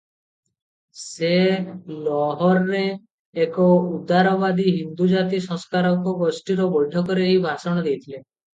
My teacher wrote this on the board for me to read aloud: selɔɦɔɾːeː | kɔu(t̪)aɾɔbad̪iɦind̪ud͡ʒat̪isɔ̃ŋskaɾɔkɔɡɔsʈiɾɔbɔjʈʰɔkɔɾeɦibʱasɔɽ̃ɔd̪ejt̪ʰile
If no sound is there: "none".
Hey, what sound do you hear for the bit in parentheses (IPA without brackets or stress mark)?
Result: d̪